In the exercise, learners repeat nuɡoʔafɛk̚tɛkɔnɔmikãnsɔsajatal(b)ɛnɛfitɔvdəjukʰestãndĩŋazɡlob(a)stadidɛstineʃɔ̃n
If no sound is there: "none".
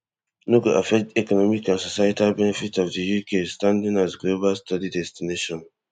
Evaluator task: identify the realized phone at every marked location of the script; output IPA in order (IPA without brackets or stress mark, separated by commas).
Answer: b, a